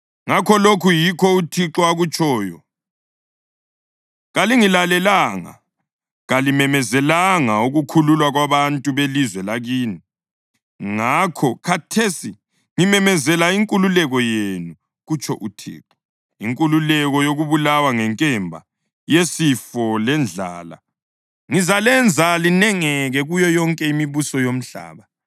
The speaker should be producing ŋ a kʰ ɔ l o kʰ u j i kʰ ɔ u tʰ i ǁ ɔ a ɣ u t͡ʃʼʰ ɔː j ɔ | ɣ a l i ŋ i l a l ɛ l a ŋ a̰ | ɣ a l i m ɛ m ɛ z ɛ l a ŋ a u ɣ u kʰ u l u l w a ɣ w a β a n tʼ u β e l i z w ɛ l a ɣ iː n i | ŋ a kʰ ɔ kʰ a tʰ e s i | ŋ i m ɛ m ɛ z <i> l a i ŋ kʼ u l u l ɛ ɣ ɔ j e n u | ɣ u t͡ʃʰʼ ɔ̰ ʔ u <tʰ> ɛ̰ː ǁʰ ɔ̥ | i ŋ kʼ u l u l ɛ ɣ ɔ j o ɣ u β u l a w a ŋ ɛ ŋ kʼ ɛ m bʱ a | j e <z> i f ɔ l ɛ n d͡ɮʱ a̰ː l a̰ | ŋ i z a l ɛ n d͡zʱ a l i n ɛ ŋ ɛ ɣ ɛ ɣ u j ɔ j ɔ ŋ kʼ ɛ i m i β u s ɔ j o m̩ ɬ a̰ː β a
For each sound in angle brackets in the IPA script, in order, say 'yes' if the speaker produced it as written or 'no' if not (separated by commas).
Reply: no, yes, no